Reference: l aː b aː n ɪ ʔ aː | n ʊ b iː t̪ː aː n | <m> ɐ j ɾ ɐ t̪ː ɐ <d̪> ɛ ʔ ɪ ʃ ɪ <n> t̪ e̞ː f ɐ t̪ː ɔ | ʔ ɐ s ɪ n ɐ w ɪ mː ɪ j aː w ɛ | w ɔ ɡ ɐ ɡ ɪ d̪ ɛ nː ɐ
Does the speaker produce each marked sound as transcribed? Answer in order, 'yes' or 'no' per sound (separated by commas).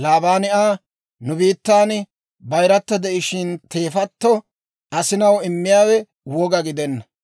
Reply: no, yes, yes